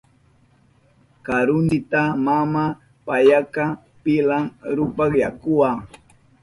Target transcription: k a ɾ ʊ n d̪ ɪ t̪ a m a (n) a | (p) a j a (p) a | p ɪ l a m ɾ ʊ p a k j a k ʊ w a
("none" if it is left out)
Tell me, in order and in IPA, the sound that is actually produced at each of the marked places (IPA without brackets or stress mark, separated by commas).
m, p, k